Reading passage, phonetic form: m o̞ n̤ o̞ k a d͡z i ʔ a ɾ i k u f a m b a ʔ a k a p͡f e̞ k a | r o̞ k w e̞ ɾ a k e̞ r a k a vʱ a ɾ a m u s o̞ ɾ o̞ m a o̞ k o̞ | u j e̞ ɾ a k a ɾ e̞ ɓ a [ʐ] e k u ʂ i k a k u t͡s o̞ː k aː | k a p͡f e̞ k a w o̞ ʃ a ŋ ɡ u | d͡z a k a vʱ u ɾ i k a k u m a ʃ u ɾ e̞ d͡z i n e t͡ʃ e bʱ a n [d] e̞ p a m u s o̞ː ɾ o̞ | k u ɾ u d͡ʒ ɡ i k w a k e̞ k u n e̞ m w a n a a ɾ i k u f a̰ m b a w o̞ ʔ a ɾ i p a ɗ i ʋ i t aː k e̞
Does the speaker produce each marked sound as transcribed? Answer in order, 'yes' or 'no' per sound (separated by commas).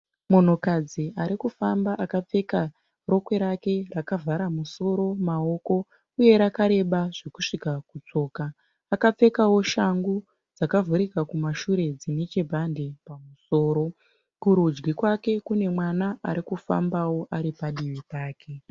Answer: yes, yes